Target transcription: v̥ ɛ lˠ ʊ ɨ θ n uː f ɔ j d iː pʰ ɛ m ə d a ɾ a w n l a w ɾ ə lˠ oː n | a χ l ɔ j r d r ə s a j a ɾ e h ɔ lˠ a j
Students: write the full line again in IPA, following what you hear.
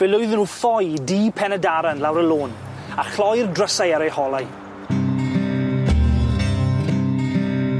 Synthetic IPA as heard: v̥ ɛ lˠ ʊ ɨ ð n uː f ɔ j d iː pʰ ɛ n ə d a ɾ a n l a w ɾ ə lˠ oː n | a χ l ɔ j r d r ə s a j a ɾ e h ɔ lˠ a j